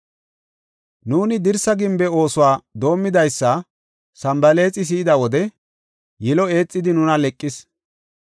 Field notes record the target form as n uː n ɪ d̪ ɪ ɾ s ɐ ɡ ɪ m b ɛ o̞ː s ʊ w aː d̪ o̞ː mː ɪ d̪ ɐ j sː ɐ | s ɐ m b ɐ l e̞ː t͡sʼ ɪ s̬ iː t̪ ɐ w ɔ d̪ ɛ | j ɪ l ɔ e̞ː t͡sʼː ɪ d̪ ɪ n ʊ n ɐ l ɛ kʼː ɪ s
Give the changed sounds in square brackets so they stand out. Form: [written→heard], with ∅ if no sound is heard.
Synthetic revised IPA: n uː n ɪ d̪ ɪ ɾ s ɐ ɡ ɪ m b ɛ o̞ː s ʊ w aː d̪ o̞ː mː ɪ d̪ ɐ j sː ɐ | s ɐ m b ɐ l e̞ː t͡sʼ ɪ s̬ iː [t̪→d̪] ɐ w ɔ d̪ ɛ | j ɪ l ɔ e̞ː t͡sʼː ɪ d̪ ɪ n ʊ n ɐ l ɛ kʼː ɪ s

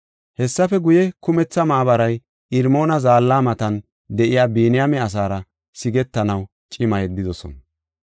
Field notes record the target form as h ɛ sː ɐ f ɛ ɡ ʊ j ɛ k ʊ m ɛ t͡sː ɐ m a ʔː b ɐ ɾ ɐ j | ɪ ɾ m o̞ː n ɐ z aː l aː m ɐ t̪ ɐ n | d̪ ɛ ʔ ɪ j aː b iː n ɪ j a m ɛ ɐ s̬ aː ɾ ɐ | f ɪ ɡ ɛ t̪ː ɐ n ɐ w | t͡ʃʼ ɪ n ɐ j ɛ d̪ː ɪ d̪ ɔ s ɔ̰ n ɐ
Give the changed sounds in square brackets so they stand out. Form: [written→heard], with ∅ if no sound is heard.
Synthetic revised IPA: h ɛ sː ɐ f ɛ ɡ ʊ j ɛ k ʊ m ɛ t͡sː ɐ m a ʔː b ɐ ɾ ɐ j | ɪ ɾ m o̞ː n ɐ z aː [l→lː] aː m ɐ t̪ ɐ n | d̪ ɛ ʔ ɪ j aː b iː n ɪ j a m ɛ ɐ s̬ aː ɾ ɐ | [f→s] ɪ ɡ ɛ t̪ː ɐ n ɐ w | t͡ʃʼ ɪ [n→m] ɐ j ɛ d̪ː ɪ d̪ ɔ s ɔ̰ n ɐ

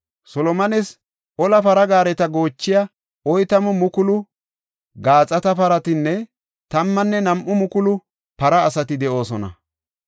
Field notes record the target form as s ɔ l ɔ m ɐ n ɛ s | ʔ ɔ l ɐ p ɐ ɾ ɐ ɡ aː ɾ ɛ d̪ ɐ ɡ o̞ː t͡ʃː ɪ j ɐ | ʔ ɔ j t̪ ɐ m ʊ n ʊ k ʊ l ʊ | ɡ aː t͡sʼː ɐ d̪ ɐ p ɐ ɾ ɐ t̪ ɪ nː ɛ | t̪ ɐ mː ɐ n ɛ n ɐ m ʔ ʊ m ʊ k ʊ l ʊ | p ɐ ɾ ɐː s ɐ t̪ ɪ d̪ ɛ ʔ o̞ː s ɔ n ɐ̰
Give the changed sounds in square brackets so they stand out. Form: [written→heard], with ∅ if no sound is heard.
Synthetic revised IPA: s ɔ l ɔ m ɐ n ɛ s | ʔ ɔ l ɐ p ɐ ɾ ɐ ɡ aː ɾ ɛ [d̪→t̪] ɐ ɡ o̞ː t͡ʃː ɪ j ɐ | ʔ ɔ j t̪ ɐ m ʊ [n→m] ʊ k ʊ l ʊ | ɡ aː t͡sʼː ɐ [d̪→t̪] ɐ p ɐ ɾ ɐ t̪ ɪ nː ɛ | t̪ ɐ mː ɐ [n→nː] ɛ n ɐ m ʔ ʊ m ʊ k ʊ l ʊ | p ɐ ɾ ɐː s ɐ t̪ ɪ d̪ ɛ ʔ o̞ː s ɔ n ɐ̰

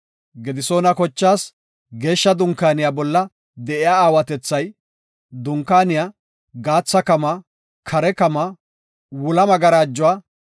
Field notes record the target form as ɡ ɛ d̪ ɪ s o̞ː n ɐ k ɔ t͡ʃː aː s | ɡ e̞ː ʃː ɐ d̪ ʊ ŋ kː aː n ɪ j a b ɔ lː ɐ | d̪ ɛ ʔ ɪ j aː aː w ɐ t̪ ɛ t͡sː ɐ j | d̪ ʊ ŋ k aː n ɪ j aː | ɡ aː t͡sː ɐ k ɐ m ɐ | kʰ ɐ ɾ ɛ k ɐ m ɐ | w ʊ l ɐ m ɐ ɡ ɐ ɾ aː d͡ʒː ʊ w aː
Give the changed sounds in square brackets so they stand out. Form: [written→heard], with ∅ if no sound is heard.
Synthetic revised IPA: ɡ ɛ d̪ ɪ s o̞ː n ɐ k ɔ t͡ʃː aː s | ɡ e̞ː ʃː ɐ d̪ ʊ ŋ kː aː n ɪ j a b ɔ lː ɐ | d̪ ɛ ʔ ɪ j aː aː w ɐ t̪ ɛ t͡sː ɐ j | d̪ ʊ ŋ k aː n ɪ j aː | ɡ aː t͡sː ɐ k ɐ m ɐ | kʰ ɐ ɾ ɛ k ɐ m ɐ | w ʊ l ɐ m ɐ ɡ ɐ ɾ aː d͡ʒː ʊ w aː

